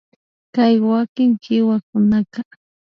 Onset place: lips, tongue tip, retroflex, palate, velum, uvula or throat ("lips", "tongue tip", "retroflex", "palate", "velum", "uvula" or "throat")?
velum